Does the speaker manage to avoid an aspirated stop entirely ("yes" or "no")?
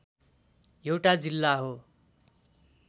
yes